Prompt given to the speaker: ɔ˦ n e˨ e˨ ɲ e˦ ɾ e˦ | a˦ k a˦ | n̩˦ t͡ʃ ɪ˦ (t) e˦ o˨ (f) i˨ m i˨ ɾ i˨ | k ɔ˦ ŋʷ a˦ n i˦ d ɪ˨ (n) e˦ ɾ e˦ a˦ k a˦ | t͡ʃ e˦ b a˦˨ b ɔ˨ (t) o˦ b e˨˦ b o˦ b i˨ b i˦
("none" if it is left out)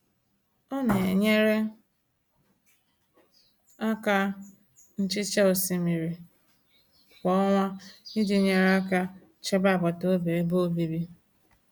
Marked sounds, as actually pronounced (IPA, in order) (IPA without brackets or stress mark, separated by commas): t͡ʃ, s, ɲ, t